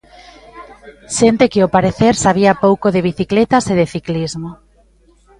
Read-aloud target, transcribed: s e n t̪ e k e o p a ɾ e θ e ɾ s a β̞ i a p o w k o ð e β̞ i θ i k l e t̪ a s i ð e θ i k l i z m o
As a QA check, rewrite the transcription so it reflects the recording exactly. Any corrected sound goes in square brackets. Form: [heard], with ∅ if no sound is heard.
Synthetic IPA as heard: [ʃ] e n t̪ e k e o p a ɾ e θ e ɾ s a β̞ i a p o w k o ð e β̞ i θ i k l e t̪ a s [e] ð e θ i k l i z m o